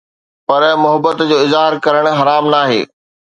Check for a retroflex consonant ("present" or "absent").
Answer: present